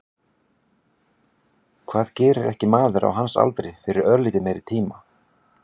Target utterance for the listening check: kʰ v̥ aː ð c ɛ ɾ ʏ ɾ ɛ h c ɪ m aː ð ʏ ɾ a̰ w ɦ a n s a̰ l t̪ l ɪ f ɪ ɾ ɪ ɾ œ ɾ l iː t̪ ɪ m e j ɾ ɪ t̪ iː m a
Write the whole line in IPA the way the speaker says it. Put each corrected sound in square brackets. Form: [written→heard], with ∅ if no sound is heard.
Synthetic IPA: kʰ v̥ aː ð c [ɛ→ɛː] ɾ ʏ ɾ ɛ h c ɪ m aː ð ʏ ɾ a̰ w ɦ a n s a̰ l t̪ [l→ɾ] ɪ f ɪ ɾ ɪ ɾ œ ɾ l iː t̪ ɪ m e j ɾ ɪ [t̪→t̪ʰ] iː m a